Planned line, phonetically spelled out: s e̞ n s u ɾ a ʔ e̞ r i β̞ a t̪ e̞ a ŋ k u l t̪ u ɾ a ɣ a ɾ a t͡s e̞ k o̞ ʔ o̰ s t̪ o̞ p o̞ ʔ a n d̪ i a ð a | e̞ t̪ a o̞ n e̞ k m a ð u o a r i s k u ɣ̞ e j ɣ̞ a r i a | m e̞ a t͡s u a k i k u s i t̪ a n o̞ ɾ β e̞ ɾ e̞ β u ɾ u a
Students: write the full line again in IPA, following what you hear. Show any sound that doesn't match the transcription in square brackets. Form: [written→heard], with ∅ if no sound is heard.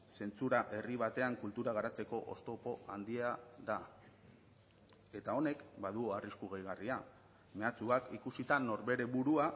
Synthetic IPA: s e̞ n [s→t͡s] u ɾ a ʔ e̞ r i β̞ a t̪ e̞ a ŋ k u l t̪ u ɾ a ɣ a ɾ a t͡s e̞ k o̞ ʔ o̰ s t̪ o̞ p o̞ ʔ a n d̪ i a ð a | e̞ t̪ a o̞ n e̞ k [m→b] a ð u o a r i s k u ɣ̞ e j ɣ̞ a r i a | m e̞ a t͡s u a k i k u s i t̪ a n o̞ ɾ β e̞ ɾ e̞ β u ɾ u a